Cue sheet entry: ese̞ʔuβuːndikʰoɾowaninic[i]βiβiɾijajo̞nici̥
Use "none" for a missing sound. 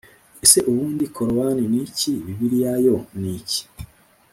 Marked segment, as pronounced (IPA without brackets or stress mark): i